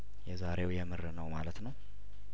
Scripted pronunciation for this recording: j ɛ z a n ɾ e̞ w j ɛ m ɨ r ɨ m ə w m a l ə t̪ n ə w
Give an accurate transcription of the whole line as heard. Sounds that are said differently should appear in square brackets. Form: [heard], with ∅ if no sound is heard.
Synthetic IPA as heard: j ɛ z a [∅] ɾ e̞ w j ɛ m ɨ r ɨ [n] ə w m a l ə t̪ n ə w